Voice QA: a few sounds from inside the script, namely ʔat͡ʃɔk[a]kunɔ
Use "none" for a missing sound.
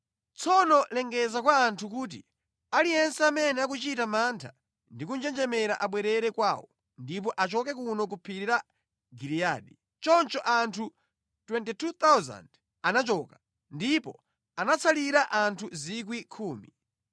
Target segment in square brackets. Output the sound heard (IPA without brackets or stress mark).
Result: ɛ